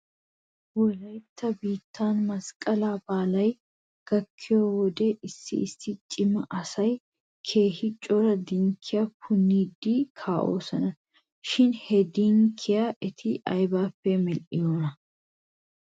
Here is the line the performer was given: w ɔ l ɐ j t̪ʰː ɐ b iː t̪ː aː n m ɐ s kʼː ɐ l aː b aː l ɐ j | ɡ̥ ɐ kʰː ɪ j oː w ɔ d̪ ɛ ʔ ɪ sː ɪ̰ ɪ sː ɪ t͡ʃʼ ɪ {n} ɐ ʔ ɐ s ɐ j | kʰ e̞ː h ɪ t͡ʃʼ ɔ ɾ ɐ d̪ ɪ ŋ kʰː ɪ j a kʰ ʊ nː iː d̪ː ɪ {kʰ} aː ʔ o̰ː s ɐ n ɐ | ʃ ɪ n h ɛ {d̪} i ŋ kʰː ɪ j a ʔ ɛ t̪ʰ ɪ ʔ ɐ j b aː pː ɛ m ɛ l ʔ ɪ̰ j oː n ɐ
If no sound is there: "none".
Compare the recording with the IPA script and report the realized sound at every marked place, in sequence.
m, kʰ, d̪

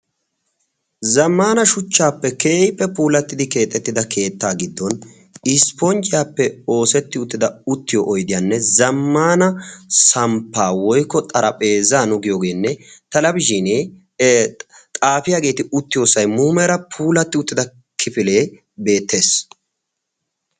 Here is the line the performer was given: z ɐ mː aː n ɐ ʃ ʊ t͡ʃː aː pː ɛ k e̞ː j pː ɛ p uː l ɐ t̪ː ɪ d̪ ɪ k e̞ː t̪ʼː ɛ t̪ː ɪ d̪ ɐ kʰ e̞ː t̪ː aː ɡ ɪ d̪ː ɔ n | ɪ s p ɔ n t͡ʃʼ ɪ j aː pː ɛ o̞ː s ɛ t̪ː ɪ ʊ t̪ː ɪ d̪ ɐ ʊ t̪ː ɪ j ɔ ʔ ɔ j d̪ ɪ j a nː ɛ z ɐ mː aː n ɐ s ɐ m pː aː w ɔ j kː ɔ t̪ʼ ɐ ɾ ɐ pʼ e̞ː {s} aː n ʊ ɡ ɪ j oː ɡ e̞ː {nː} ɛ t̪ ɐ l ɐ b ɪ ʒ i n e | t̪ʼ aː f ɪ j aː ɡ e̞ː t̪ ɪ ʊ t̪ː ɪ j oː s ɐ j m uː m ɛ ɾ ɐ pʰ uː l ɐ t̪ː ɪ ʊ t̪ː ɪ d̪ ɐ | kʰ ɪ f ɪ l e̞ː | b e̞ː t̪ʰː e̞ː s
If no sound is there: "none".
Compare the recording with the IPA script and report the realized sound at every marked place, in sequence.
z, nː

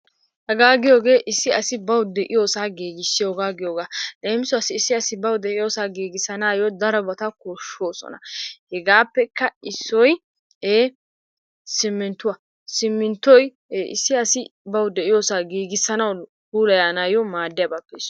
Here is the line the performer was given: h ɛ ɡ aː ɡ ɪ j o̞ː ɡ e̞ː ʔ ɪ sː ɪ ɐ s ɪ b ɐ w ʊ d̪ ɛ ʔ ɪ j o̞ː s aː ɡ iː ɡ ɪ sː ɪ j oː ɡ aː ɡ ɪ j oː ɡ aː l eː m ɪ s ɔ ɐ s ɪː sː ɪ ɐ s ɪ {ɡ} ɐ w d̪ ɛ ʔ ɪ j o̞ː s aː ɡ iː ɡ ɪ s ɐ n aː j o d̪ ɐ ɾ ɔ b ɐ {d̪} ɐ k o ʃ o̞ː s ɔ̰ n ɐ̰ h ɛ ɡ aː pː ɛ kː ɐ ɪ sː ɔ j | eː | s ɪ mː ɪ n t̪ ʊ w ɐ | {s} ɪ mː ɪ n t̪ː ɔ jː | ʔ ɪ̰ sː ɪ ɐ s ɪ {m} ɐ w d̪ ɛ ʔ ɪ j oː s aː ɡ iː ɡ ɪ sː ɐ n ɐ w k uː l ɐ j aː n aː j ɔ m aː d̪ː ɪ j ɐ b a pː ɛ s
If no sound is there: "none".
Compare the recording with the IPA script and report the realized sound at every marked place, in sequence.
b, t̪, s, b

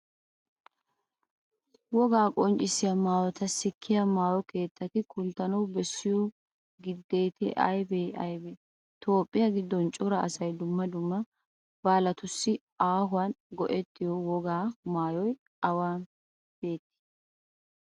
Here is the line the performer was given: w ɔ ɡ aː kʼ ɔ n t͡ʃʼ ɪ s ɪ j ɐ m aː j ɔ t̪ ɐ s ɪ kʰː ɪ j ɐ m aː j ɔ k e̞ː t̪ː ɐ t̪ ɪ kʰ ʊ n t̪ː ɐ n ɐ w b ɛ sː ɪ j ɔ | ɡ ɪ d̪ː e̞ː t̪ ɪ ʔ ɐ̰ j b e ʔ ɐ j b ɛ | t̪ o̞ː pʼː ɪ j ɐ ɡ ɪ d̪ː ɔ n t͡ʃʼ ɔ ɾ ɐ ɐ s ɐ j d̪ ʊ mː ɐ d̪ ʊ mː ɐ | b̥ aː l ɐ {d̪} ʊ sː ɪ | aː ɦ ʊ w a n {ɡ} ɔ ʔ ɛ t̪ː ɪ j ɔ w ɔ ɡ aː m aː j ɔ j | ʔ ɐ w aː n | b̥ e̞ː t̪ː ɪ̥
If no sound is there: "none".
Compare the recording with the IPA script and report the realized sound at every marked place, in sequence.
t̪, ɡ

